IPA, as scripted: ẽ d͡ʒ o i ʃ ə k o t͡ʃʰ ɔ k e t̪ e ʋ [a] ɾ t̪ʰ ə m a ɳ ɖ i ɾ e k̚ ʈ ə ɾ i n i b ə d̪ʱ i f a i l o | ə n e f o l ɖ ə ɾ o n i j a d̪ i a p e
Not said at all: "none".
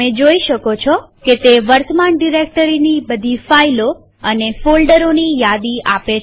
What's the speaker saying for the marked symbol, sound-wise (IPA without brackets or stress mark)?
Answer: ə